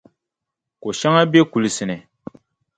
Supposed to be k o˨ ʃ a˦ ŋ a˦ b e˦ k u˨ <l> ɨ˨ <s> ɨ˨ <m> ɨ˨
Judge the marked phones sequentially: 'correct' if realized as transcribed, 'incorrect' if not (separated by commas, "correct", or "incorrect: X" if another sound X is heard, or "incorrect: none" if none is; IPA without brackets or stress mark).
correct, correct, incorrect: n